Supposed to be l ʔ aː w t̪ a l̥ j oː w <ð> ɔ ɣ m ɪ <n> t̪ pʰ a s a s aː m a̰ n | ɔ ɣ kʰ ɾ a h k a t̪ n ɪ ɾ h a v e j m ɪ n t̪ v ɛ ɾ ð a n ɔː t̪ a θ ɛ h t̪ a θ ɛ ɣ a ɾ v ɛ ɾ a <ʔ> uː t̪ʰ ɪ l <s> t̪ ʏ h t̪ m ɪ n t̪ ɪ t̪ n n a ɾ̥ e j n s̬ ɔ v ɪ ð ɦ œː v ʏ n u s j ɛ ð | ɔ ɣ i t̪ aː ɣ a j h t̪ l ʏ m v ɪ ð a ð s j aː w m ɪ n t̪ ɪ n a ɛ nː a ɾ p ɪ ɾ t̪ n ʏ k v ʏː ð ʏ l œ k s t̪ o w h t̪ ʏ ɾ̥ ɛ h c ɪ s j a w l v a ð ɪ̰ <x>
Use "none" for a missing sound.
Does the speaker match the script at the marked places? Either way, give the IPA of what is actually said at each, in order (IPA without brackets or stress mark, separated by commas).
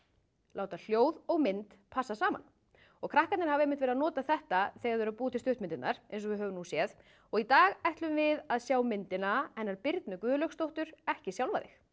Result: ð, n, p, s, x